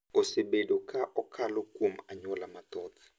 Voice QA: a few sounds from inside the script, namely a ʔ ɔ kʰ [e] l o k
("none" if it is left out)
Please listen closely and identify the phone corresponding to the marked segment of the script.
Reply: a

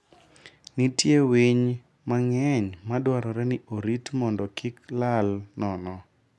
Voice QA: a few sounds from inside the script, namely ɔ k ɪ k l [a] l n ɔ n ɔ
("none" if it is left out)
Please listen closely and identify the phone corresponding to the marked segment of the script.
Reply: a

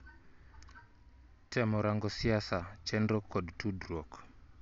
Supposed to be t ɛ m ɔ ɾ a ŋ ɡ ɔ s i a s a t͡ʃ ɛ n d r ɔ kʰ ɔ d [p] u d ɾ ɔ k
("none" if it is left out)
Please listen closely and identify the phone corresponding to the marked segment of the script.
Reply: t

